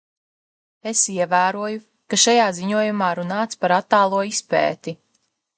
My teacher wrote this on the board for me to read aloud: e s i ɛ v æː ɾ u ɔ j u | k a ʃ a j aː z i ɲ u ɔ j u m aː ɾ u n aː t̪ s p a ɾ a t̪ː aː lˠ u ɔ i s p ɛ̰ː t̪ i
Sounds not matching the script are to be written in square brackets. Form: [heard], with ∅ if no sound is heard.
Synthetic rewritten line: e s i ɛ v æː ɾ u ɔ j u | k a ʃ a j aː z i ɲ u ɔ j u m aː ɾ u n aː t̪ s p a ɾ a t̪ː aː lˠ u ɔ i s p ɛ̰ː t̪ i